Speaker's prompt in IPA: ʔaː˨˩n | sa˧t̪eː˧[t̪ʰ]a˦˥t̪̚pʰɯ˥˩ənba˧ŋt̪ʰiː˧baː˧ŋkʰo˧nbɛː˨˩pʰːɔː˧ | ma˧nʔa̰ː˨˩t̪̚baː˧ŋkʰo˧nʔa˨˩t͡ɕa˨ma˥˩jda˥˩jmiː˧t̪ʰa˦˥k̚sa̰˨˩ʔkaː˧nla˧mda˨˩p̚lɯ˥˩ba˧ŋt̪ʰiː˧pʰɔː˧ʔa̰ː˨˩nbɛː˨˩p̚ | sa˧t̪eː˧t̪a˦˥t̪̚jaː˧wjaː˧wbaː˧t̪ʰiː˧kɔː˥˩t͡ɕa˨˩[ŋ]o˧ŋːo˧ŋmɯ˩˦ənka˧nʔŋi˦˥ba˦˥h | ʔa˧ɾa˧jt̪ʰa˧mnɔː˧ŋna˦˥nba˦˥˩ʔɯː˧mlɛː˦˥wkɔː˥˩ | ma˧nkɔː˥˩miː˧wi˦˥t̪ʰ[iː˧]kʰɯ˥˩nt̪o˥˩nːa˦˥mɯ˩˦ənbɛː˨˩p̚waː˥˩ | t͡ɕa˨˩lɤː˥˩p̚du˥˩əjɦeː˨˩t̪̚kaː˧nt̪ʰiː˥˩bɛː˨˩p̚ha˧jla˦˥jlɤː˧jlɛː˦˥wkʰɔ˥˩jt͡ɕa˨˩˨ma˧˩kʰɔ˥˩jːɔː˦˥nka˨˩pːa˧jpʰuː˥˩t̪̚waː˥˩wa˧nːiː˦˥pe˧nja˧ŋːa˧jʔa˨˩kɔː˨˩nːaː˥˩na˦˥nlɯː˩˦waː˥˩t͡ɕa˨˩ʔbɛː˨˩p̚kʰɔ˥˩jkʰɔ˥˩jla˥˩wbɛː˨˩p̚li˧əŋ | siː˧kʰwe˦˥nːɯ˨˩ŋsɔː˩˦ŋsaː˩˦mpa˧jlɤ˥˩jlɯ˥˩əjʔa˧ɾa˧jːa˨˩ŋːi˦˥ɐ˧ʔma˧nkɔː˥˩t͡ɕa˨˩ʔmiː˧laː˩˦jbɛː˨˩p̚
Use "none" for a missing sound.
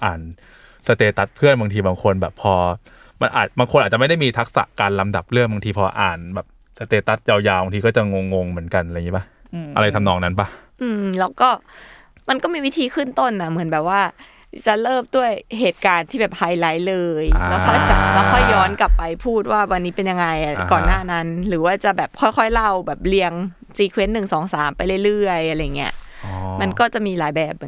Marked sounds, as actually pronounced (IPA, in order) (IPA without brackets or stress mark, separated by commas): t̪, ŋ, iː˧